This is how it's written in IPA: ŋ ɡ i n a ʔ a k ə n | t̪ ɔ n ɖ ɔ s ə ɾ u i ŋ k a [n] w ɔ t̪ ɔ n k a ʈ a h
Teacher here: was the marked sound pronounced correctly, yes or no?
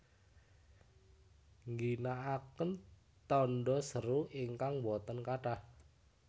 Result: no